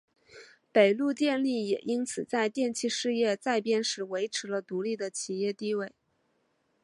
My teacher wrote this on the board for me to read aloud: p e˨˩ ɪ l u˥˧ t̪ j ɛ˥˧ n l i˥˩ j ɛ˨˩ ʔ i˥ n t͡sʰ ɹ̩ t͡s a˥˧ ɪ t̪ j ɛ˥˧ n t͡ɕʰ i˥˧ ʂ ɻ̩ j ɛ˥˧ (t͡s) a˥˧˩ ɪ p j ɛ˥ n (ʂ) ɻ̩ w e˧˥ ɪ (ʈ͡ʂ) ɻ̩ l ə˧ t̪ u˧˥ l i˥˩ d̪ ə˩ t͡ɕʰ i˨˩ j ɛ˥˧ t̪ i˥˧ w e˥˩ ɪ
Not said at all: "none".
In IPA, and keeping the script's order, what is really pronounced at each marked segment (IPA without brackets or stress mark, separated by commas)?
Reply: t͡s, ʂ, ʈ͡ʂʰ